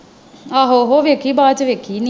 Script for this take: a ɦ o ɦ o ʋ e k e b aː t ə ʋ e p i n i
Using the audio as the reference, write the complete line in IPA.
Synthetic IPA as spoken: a ɦ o ɦ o ʋ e k i b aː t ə ʋ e k i n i